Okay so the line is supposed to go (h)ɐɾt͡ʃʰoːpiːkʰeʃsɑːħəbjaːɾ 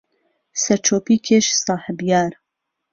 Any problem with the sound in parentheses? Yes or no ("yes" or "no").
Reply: yes